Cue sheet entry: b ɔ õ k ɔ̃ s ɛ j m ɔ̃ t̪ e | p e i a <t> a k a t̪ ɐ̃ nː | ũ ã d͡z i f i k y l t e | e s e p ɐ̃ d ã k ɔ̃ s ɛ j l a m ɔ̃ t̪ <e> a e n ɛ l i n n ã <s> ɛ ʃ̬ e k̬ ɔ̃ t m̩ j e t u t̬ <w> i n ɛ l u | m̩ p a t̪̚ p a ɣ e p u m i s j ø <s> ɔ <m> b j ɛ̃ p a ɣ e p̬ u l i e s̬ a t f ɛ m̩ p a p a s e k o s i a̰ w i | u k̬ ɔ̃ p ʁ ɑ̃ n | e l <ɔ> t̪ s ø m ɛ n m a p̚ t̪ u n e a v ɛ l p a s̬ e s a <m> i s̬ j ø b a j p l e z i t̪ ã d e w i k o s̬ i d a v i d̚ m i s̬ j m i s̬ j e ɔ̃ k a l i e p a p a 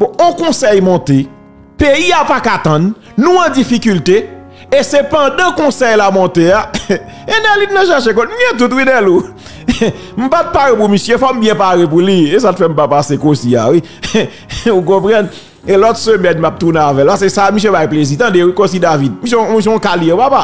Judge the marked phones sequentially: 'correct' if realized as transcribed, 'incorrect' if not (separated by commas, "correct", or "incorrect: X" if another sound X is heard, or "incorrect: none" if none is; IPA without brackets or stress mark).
incorrect: p, correct, incorrect: ʃ, correct, incorrect: f, correct, correct, correct